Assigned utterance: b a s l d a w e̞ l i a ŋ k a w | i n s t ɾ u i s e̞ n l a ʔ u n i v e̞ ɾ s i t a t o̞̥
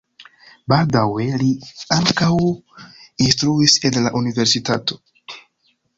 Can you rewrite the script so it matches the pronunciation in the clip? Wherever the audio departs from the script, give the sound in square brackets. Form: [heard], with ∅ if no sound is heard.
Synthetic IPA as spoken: b a [∅] l d a w e̞ l i a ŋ k a w | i n s t ɾ u i s e̞ n l a ʔ u n i v e̞ ɾ s i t a t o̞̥